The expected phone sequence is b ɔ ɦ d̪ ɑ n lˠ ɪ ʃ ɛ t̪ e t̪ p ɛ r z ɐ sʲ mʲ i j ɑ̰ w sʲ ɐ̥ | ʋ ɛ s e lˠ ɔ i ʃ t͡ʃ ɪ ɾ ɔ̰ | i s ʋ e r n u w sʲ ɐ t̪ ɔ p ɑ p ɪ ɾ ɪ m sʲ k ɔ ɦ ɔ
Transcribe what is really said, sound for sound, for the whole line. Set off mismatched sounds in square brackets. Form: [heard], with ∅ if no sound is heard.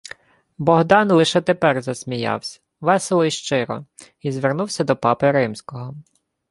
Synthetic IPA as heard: b ɔ ɦ d̪ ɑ n lˠ ɪ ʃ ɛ t̪ e [∅] p ɛ r z ɐ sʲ mʲ i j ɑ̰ w sʲ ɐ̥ | ʋ ɛ s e lˠ ɔ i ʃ t͡ʃ ɪ ɾ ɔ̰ | i [z] ʋ e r n u w sʲ ɐ [d̪] ɔ p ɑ p ɪ ɾ ɪ m sʲ k ɔ ɦ ɔ